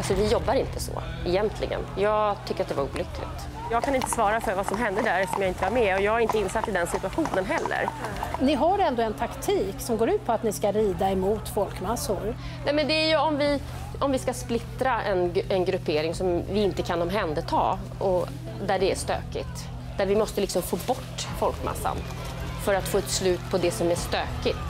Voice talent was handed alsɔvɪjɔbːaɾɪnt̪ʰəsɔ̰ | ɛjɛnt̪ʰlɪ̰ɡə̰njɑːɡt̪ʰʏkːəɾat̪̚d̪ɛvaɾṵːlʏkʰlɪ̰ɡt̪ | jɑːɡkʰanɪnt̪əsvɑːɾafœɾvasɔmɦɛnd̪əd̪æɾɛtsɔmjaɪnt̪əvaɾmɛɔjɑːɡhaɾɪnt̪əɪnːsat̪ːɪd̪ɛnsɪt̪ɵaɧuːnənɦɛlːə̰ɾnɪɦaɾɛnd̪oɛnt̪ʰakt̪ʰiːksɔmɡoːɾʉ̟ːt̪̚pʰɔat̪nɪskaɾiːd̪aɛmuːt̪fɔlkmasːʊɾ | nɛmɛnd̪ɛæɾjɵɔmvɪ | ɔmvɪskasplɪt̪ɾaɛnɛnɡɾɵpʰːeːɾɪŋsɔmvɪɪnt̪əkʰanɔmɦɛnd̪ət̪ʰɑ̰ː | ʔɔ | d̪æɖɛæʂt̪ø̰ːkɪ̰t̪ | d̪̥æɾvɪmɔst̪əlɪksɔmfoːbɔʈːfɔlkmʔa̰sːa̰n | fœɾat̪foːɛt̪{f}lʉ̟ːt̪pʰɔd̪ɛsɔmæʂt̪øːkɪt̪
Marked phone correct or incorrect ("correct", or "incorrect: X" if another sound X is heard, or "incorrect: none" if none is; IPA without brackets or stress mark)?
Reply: incorrect: s